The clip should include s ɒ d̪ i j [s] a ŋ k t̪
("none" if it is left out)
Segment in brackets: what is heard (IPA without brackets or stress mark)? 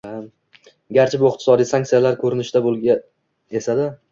s